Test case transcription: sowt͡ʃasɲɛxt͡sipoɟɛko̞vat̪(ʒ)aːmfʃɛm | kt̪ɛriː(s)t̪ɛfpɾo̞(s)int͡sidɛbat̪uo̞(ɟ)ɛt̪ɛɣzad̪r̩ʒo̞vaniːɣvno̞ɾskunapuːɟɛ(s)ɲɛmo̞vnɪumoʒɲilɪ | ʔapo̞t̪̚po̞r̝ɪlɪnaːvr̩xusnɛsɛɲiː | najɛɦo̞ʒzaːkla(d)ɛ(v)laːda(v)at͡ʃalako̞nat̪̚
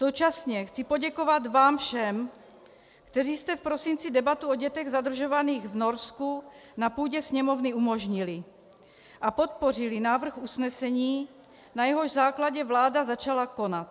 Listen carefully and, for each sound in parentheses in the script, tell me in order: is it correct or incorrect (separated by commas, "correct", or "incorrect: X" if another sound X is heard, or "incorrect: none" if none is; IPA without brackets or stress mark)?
incorrect: v, correct, correct, correct, correct, incorrect: ɟ, correct, incorrect: z